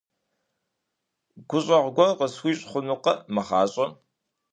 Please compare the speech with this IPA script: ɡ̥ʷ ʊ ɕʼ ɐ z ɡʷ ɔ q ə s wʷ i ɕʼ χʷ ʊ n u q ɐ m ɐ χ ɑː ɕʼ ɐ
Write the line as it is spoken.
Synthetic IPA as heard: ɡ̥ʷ ʊ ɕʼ ɐ ʁ ɡʷ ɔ q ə s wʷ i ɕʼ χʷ ʊ n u q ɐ m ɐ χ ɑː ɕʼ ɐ